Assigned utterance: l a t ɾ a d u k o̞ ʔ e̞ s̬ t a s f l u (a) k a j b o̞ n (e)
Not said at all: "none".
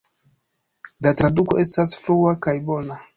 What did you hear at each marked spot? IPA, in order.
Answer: a, a

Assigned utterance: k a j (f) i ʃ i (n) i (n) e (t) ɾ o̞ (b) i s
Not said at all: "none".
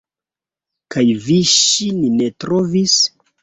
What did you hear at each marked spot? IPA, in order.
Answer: v, n, n, t, v

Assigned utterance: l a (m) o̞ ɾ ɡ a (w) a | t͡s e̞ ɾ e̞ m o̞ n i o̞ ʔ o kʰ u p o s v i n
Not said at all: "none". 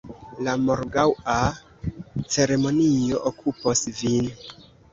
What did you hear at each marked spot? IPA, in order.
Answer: m, w

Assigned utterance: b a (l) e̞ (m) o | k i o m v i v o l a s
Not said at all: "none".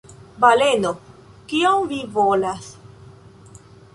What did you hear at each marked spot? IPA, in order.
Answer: l, n

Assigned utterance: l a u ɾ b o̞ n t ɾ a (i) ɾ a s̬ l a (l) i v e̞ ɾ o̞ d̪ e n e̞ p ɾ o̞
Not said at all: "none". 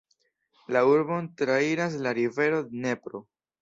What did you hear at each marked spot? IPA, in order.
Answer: i, ɾ

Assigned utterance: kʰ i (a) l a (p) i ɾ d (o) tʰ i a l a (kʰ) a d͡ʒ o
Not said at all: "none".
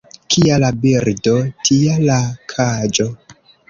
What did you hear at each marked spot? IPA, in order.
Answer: a, b, o, kʰ

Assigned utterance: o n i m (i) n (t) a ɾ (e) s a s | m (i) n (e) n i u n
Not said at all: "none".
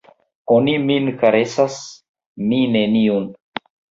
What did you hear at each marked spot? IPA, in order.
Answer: i, k, e, i, e

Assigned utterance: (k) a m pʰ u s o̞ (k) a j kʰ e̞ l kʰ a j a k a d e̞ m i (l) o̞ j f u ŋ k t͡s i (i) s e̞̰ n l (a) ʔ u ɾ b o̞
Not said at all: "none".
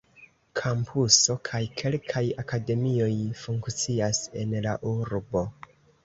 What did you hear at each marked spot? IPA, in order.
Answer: kʰ, kʰ, none, a, a

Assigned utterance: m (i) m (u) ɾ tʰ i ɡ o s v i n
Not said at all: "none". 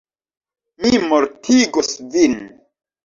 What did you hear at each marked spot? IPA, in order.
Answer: i, o

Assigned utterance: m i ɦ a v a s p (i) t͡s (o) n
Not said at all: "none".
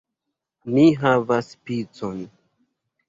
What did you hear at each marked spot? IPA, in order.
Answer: i, o

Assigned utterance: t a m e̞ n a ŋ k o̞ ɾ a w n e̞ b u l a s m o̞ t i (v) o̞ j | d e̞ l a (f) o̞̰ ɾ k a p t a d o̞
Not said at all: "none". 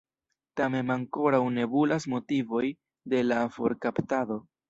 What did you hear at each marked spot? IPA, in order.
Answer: v, f

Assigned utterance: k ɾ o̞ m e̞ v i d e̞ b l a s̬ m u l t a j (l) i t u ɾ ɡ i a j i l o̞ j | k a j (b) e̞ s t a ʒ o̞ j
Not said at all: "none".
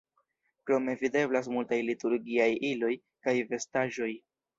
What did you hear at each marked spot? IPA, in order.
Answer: l, v

